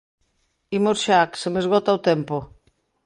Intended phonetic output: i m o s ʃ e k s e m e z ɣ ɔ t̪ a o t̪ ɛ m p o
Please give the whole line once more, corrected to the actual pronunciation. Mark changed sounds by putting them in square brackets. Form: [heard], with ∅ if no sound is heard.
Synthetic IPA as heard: i m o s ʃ [a] k s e m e z ɣ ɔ t̪ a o t̪ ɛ m p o